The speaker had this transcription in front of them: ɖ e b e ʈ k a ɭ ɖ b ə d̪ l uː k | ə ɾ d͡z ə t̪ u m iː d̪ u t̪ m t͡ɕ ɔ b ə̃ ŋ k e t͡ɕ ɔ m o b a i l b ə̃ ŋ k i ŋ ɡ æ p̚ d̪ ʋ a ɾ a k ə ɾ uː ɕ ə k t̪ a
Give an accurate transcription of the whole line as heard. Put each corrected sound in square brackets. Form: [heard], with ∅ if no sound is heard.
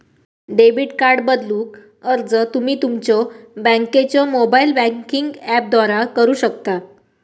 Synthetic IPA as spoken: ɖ e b [i] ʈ k a [ɾ] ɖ b ə d̪ l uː k | ə ɾ d͡z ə t̪ u m iː [t̪] u [∅] m t͡ɕ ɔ b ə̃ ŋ k e t͡ɕ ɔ m o b a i l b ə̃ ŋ k i ŋ ɡ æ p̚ d̪ ʋ a ɾ a k ə ɾ uː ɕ ə k t̪ a